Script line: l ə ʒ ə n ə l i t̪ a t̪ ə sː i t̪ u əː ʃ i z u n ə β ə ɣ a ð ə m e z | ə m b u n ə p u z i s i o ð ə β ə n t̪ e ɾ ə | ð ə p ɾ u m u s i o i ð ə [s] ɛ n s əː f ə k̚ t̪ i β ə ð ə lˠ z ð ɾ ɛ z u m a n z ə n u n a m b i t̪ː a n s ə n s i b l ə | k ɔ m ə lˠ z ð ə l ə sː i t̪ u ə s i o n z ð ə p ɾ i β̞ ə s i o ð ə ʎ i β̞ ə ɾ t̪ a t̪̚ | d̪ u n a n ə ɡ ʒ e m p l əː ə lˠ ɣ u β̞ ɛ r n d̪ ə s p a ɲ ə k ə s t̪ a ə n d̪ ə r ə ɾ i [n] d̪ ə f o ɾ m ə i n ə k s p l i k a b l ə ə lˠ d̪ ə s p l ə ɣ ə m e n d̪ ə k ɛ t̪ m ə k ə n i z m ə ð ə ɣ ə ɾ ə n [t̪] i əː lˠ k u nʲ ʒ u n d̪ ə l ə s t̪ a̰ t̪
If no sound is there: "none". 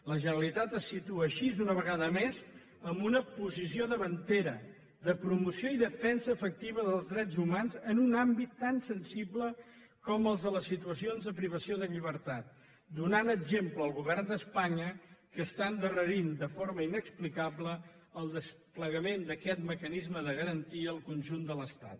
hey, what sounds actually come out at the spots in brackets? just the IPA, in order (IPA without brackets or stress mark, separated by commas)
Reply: f, n, t̪